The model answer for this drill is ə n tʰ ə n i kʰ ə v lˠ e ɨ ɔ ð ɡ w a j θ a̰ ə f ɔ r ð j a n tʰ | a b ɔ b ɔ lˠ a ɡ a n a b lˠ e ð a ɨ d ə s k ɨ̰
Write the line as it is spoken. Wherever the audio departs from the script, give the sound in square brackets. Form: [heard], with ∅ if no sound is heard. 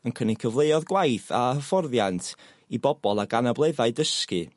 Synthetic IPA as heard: ə n [kʰ] ə n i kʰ ə v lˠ e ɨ ɔ ð ɡ w a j θ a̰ ə f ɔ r ð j a n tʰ | [i] b ɔ b ɔ lˠ a ɡ a n a b lˠ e ð a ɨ d ə s k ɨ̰